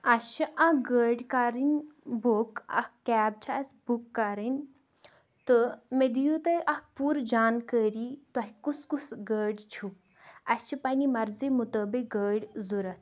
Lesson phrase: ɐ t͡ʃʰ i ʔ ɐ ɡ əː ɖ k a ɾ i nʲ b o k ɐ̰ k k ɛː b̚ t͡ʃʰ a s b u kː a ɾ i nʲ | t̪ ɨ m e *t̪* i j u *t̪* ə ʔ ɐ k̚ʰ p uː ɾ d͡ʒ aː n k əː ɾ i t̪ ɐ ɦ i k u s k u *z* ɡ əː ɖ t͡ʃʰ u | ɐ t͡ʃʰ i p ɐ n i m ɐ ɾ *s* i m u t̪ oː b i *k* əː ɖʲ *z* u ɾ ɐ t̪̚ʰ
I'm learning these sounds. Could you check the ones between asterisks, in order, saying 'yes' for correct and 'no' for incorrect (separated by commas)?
no, yes, no, no, no, yes